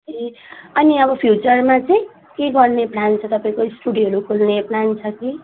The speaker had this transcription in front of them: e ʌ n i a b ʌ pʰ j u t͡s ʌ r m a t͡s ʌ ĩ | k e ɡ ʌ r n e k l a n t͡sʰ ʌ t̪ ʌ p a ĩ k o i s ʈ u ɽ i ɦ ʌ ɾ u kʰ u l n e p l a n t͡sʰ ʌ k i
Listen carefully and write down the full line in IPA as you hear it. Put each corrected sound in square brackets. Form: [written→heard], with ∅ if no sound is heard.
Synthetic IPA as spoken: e ʌ n i [a→ʌ] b ʌ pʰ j u t͡s ʌ r m a t͡s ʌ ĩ | k e ɡ ʌ r n e [k→p] l a n t͡sʰ ʌ t̪ ʌ p a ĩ k o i s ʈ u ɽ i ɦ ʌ ɾ u kʰ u l n e p l a n t͡sʰ ʌ k i